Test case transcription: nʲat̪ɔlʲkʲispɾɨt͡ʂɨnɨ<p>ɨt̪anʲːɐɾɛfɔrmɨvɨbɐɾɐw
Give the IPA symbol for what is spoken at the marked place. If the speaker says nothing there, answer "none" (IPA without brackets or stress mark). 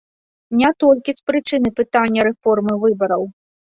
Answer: p